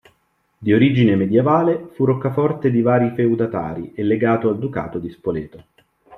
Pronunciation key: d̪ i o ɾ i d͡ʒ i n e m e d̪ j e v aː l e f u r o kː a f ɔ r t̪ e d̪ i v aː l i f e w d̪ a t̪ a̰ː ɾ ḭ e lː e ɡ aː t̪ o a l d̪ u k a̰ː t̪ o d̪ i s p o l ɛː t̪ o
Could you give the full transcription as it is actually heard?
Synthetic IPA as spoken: d̪ i o ɾ i d͡ʒ i n e m e d̪ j e v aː l e f u r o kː a f ɔ r t̪ e d̪ i v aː ɾ i f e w d̪ a t̪ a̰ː ɾ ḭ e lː e ɡ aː t̪ o a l d̪ u k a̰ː t̪ o d̪ i s p o l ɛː t̪ o

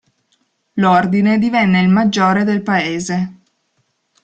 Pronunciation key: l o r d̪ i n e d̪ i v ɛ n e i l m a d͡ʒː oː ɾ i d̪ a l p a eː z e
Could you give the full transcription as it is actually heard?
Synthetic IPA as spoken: l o r d̪ i n e d̪ i v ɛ nː e i l m a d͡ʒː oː ɾ e d̪ e l p a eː z e

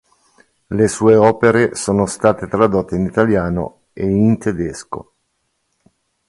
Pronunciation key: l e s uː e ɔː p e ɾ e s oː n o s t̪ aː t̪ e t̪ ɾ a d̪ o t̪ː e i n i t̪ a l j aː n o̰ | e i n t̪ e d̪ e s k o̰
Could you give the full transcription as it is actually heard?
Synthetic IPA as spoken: l e s uː e ɔː p e ɾ e s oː n o s t̪ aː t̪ e t̪ ɾ a d̪ o t̪ː e i n i t̪ a l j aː n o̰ | e i n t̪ e d̪ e s k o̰

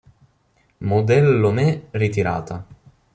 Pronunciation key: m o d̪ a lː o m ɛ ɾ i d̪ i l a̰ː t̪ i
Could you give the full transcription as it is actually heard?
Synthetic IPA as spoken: m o d̪ ɛ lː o m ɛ r i t̪ i ɾ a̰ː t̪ a

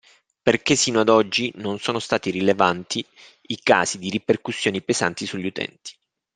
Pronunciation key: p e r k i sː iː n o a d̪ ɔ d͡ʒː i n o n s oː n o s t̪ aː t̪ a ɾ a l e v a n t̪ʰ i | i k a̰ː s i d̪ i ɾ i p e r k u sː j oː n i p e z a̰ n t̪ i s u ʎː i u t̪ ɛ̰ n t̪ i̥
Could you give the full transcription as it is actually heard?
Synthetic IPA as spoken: p e r k e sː iː n o a d̪ ɔ d͡ʒː i n o n s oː n o s t̪ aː t̪ i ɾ i l e v a n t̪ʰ i | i k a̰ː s i d̪ i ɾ i p e r k u sː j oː n i p e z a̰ n t̪ i s u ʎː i u t̪ ɛ̰ n t̪ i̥

